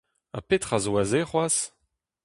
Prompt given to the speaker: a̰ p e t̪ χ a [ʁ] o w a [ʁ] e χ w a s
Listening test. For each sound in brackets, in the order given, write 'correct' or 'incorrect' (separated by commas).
incorrect, incorrect